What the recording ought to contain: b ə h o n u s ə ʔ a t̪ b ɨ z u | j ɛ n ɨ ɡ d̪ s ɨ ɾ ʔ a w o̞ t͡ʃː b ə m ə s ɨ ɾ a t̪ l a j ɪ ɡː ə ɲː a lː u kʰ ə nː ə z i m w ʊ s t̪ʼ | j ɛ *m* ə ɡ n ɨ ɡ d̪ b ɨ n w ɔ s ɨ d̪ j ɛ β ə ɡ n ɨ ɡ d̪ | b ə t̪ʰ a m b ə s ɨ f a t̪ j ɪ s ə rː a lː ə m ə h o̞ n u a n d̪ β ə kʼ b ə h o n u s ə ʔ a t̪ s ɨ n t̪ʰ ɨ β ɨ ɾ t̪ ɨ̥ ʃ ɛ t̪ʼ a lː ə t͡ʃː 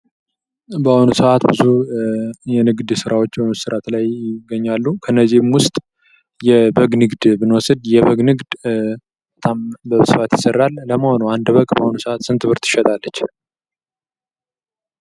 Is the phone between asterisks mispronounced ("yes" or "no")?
yes